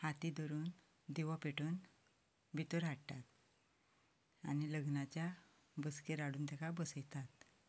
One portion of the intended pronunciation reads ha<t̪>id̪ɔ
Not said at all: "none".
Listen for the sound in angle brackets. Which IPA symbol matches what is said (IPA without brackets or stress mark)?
t̪